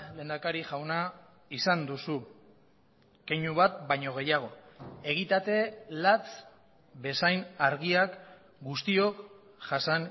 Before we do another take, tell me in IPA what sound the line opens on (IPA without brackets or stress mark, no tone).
l